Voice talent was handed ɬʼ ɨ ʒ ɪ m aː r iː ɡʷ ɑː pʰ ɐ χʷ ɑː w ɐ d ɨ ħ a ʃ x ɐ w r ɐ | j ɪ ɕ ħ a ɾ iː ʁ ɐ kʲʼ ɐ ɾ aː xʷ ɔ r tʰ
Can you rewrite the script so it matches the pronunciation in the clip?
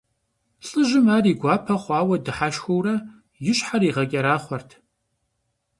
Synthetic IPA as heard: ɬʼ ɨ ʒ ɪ m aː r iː ɡʷ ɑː pʰ ɐ χʷ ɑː w ɐ d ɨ ħ a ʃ x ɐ w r ɐ | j ɪ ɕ ħ a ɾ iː ʁ ɐ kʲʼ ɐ ɾ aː χʷ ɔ r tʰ